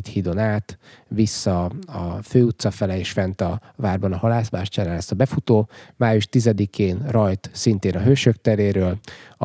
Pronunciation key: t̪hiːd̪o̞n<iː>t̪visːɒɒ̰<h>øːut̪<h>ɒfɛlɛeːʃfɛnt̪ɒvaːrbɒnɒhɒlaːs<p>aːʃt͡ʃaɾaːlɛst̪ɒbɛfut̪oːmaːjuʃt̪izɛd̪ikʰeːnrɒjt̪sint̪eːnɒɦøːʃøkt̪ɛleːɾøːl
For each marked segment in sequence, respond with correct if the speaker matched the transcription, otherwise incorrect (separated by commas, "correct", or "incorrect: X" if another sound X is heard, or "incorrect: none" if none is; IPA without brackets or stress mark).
incorrect: aː, incorrect: f, incorrect: s, incorrect: b